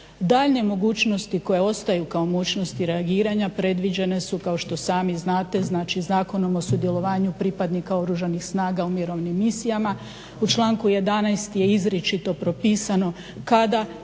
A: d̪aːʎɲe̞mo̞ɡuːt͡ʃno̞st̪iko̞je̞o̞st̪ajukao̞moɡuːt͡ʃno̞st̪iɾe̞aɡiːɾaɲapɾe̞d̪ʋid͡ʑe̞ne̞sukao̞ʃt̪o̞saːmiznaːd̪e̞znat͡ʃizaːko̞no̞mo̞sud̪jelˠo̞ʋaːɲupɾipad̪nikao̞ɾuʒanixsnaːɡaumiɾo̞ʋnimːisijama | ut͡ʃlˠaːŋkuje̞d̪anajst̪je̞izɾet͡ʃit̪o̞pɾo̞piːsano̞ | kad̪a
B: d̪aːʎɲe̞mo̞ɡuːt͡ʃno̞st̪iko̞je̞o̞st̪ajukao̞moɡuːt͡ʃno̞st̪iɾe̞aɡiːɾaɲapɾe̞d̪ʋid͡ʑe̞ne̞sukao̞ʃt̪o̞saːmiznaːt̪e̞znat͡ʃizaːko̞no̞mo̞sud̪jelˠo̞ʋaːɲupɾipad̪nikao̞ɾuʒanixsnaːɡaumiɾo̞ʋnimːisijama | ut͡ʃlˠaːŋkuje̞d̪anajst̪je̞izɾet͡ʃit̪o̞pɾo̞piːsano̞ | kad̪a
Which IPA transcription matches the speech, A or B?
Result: B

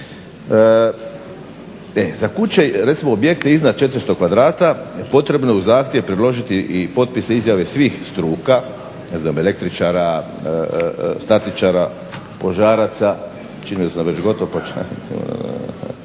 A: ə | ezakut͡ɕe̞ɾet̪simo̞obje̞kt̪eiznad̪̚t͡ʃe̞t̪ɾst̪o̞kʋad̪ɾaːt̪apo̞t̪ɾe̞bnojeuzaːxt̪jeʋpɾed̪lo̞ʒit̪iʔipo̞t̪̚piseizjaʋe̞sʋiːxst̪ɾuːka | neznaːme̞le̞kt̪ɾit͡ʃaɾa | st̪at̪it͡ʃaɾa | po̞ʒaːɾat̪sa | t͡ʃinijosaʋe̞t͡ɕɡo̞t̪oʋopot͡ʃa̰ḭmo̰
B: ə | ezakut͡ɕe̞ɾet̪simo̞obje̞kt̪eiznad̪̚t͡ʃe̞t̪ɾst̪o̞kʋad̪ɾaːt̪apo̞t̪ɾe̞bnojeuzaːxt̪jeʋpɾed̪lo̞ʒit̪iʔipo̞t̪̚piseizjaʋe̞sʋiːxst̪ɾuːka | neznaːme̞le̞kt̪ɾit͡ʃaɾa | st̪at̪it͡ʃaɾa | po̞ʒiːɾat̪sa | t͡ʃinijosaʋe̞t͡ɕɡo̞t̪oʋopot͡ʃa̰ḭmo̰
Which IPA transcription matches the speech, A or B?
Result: A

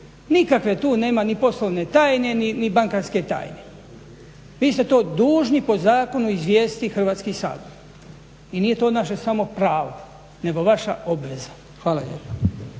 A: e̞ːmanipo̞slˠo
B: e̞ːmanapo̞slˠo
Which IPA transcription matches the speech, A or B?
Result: A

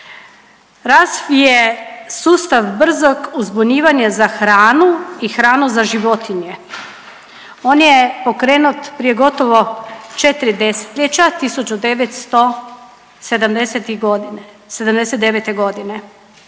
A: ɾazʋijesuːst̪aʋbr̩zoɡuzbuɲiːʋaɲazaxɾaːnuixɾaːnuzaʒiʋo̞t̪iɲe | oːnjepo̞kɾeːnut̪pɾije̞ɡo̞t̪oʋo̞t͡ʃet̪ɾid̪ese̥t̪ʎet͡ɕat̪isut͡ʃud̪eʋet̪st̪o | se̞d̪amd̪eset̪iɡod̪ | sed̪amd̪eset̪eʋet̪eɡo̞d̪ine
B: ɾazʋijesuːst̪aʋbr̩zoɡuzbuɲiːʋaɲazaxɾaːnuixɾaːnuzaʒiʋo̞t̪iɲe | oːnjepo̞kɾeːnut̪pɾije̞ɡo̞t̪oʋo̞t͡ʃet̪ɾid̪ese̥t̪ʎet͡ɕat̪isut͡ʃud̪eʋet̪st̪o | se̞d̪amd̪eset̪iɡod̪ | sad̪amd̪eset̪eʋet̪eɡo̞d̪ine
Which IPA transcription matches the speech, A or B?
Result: A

